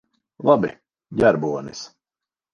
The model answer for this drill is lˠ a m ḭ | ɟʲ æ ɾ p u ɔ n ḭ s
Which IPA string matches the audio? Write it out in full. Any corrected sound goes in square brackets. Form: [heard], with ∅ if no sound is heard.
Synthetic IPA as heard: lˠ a [b] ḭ | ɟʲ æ ɾ [b] u ɔ n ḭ s